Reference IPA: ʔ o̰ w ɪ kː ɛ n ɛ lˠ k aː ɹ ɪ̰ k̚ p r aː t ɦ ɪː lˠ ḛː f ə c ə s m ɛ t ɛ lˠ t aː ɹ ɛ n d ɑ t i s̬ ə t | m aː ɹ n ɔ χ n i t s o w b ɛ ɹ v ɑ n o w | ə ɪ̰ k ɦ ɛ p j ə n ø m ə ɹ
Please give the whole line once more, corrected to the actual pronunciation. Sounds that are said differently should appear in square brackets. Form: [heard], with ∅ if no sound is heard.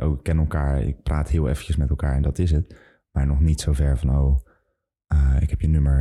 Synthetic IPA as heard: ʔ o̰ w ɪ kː ɛ n ɛ lˠ k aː ɹ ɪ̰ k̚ p r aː t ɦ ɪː lˠ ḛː f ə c ə s m ɛ t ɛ lˠ [k] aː ɹ ɛ n d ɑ t [ɪ] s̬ ə t | m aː ɹ n ɔ χ n i t s o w [v] ɛ ɹ v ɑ n o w | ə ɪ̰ k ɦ ɛ p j ə n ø m ə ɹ